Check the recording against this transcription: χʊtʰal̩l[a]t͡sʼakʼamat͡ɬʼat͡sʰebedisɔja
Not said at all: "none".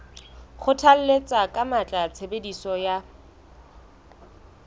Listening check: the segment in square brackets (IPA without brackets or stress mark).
e